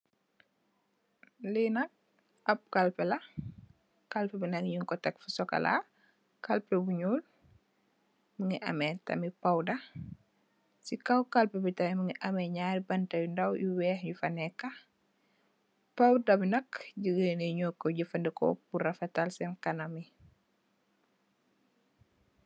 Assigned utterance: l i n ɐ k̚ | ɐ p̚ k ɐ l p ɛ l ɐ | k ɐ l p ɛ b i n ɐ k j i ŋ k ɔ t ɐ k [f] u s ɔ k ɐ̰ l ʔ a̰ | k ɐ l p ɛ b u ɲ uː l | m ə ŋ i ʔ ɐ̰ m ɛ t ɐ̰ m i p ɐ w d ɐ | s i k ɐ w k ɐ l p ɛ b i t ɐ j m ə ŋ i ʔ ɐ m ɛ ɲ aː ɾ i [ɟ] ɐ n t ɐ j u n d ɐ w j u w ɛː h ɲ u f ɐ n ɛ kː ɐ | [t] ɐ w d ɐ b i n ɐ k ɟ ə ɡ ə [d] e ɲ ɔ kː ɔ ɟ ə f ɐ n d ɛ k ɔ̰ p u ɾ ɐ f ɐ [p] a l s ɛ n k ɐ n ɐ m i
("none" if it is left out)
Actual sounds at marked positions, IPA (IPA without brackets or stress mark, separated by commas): f, b, p, n, t